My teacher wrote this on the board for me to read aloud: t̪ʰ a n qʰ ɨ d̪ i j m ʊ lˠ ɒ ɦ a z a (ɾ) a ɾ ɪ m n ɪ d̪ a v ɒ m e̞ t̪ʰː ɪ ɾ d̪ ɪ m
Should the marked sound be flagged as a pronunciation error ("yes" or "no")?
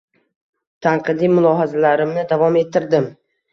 yes